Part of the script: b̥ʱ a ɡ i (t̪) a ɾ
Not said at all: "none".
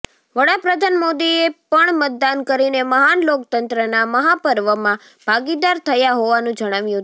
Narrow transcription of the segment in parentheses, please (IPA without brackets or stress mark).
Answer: d̪